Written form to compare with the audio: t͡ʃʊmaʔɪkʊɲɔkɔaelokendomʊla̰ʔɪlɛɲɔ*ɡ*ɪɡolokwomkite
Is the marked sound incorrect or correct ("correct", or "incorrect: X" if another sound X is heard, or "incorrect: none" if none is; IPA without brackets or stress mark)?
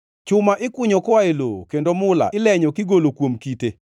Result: incorrect: k